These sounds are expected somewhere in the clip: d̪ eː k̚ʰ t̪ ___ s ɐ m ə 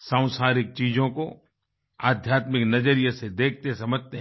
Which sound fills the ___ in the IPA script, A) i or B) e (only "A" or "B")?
B